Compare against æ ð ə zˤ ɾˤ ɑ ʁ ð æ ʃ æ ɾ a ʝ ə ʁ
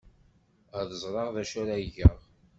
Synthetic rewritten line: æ ð ə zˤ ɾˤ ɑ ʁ ð æ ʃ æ ɾ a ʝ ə ʁ